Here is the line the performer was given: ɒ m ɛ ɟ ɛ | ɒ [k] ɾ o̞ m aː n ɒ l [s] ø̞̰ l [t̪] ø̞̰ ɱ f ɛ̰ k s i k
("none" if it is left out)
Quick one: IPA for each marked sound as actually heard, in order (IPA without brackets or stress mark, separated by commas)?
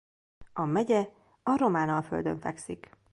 none, f, d̪